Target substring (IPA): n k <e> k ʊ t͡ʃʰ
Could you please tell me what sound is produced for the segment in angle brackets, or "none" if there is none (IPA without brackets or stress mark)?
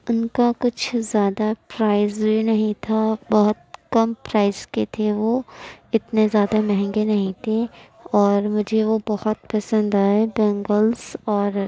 a